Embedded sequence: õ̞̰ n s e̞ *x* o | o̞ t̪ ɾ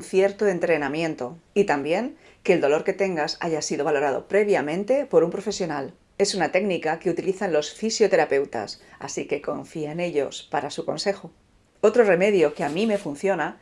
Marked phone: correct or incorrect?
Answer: correct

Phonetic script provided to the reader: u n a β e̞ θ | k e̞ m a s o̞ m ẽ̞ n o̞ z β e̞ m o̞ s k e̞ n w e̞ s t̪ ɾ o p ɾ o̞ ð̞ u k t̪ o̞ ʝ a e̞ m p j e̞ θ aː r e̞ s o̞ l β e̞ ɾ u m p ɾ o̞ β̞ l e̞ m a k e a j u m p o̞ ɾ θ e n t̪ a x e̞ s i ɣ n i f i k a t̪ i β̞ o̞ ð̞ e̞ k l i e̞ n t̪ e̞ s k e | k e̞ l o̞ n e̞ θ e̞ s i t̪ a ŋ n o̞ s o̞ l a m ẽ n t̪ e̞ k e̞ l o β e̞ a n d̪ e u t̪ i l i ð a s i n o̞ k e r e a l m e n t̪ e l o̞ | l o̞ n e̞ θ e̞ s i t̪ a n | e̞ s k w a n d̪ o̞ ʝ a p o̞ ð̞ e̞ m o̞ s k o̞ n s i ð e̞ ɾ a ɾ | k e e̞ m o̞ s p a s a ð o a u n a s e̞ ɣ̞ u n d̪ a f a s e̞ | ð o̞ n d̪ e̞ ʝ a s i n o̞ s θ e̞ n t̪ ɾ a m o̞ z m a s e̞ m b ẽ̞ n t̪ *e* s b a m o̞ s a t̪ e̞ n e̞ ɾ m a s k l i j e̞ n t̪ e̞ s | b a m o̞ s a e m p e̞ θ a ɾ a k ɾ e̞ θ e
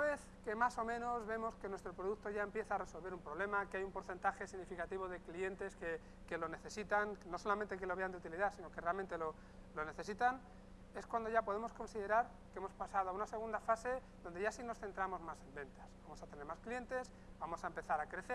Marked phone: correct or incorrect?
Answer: incorrect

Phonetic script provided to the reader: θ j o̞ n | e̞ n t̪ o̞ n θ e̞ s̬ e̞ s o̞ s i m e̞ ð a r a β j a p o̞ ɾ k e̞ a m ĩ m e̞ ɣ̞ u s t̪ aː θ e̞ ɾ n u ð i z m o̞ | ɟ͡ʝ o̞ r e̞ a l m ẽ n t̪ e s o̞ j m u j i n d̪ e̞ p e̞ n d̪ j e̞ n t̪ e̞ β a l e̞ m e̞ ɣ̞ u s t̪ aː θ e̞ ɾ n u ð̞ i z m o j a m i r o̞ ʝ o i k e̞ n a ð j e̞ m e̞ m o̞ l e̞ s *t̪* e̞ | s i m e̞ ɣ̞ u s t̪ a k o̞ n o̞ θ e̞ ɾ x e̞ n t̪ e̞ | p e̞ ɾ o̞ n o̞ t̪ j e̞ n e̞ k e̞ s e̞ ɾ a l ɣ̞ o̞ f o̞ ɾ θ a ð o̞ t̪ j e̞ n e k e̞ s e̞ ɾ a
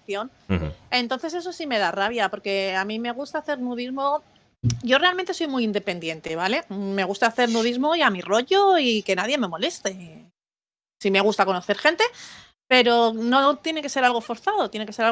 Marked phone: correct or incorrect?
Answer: correct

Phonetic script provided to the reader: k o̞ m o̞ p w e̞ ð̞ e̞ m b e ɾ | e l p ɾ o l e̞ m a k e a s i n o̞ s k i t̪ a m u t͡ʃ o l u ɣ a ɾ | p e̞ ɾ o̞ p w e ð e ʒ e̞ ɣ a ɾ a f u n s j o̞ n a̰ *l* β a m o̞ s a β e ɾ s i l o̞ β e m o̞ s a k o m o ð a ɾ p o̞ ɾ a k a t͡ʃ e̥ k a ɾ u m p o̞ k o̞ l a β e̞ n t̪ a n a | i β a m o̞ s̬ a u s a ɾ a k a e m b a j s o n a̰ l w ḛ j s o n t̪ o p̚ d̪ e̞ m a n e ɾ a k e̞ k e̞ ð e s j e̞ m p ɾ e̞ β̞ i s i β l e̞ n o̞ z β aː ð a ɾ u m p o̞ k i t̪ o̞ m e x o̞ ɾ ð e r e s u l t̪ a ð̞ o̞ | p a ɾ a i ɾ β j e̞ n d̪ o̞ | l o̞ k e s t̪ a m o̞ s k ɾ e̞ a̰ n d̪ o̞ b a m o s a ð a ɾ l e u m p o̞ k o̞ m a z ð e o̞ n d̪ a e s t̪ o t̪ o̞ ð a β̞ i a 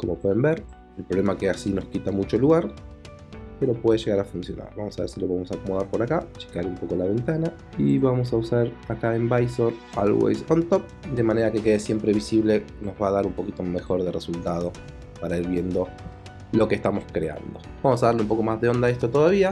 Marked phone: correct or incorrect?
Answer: incorrect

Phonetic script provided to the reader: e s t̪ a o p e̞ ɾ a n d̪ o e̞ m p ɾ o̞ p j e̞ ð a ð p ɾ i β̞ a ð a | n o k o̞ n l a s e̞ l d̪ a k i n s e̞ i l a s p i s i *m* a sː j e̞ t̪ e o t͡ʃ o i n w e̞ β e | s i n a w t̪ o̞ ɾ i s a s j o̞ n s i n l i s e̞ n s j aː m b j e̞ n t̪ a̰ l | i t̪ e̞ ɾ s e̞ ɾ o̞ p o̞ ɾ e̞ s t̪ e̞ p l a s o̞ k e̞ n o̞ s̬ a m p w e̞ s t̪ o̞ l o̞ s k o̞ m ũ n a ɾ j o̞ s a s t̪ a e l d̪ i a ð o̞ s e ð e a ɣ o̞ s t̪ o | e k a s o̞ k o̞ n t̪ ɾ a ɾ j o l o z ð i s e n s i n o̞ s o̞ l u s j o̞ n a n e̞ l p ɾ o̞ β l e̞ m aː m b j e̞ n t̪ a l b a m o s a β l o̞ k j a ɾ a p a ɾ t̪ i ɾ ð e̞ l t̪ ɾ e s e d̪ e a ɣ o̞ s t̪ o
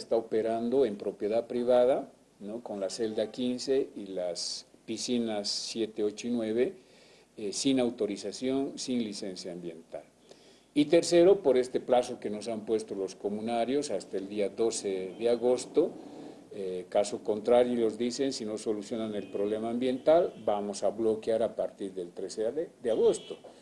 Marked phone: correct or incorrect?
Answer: incorrect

